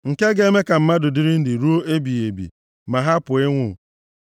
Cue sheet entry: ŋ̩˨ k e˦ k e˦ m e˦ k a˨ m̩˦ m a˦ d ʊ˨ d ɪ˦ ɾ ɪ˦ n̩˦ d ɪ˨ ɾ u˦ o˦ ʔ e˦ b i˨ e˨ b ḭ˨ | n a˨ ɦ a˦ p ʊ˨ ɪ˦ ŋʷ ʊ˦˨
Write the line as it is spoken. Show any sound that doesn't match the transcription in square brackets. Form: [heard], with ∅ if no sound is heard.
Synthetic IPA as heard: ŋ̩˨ k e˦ [ɡ] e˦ m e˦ k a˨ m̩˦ m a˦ d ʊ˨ d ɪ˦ ɾ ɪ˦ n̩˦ d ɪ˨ ɾ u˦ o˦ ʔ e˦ b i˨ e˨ b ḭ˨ | [m] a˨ ɦ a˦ p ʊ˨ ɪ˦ ŋʷ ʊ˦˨